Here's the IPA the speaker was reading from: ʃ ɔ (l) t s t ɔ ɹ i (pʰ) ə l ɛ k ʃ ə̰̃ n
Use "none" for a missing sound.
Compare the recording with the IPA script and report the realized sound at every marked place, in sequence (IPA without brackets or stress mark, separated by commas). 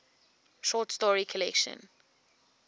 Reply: none, kʰ